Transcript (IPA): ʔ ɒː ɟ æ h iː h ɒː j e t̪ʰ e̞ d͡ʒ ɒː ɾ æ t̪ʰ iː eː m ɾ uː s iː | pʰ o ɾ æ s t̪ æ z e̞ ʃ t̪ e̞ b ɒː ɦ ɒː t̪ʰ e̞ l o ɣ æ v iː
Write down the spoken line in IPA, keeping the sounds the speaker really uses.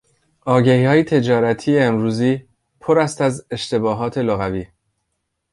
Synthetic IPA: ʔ ɒː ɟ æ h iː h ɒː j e t̪ʰ e̞ d͡ʒ ɒː ɾ æ t̪ʰ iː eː m ɾ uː z iː | pʰ o ɾ æ s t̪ æ z e̞ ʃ t̪ e̞ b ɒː ɦ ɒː t̪ʰ e̞ l o ɣ æ v iː